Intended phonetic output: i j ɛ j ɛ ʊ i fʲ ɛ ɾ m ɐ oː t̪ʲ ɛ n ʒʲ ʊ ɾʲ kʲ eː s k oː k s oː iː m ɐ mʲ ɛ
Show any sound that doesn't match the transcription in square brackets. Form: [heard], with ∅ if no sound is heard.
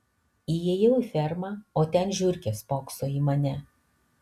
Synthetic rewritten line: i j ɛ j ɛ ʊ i fʲ ɛ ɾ m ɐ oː t̪ʲ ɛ n ʒʲ ʊ ɾʲ kʲ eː s [p] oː k s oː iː m ɐ [nʲ] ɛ